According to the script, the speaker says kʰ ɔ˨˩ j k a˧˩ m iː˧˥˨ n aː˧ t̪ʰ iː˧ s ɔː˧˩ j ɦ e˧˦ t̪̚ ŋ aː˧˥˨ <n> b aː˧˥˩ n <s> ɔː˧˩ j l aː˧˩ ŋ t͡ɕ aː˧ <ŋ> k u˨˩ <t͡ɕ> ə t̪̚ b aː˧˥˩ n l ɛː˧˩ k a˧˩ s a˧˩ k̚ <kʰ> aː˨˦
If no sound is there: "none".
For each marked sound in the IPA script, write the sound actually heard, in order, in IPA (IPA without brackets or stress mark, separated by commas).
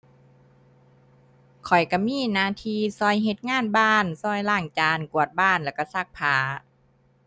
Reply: n, s, n, none, pʰ